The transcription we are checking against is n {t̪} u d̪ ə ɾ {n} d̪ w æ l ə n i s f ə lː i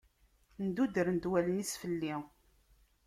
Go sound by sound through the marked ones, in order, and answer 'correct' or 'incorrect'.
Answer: incorrect, correct

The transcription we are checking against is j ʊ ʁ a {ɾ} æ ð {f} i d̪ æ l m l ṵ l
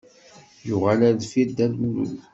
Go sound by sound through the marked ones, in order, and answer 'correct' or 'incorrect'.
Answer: incorrect, correct

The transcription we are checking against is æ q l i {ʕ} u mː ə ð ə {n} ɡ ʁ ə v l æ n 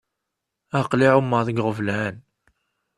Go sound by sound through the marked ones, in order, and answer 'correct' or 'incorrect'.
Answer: correct, incorrect

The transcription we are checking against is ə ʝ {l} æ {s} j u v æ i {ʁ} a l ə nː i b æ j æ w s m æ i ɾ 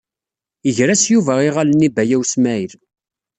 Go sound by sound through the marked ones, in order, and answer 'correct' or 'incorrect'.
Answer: incorrect, correct, correct

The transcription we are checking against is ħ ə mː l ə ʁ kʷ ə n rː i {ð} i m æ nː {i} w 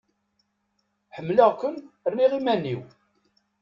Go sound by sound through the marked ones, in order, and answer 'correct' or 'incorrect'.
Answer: incorrect, correct

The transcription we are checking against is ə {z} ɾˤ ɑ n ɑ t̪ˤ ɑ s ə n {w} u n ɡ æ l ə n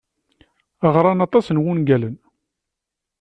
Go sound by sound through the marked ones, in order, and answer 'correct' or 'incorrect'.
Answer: incorrect, correct

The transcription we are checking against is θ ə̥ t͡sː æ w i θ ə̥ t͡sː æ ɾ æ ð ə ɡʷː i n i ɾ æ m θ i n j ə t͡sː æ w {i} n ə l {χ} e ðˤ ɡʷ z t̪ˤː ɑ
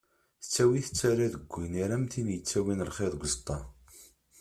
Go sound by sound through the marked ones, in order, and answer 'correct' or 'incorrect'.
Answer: correct, correct

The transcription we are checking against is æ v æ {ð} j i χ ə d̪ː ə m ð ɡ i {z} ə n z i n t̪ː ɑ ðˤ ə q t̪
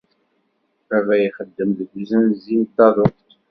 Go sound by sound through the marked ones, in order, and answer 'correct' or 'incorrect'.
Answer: incorrect, correct

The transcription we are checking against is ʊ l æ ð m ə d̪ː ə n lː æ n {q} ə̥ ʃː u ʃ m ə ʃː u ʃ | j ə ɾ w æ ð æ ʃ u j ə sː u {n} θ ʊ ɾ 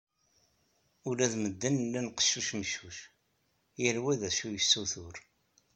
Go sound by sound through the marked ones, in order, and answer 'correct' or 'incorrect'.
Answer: correct, incorrect

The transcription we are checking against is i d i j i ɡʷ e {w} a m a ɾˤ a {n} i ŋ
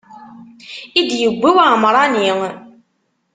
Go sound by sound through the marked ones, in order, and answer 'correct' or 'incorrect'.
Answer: correct, correct

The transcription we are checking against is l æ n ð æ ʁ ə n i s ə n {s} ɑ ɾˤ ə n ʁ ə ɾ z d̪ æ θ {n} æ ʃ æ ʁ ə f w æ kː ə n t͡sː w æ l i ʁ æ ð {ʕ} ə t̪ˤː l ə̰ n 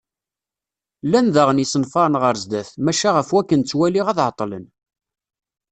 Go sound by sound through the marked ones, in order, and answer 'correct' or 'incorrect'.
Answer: incorrect, incorrect, correct

